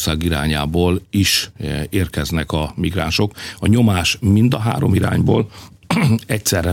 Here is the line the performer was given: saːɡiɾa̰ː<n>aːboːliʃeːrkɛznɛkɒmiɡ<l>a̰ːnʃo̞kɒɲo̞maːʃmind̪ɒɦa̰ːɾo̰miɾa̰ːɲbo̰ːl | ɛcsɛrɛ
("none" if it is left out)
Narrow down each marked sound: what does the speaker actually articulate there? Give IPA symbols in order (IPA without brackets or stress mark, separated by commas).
ɲ, r